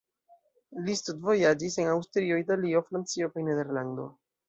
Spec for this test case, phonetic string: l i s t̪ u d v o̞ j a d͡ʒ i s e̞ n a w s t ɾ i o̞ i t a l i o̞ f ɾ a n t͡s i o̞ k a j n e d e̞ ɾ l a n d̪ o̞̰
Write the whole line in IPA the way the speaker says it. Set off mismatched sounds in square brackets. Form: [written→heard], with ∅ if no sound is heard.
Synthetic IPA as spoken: l i s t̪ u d v o̞ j a d͡ʒ i s e̞ n a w s t ɾ i o̞ i t a l i o̞ f ɾ a n t͡s i o̞ k a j n e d e̞ ɾ l a n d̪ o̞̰